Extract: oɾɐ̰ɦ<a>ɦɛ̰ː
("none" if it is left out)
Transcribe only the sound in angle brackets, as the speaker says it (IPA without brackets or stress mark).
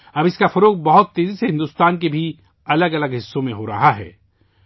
a